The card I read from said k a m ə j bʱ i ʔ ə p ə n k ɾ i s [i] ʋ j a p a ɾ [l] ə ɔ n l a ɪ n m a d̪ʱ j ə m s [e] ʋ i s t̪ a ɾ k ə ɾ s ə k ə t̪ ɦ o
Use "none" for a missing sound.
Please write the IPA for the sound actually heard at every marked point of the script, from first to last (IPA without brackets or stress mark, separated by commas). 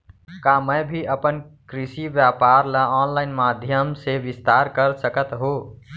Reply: i, l, e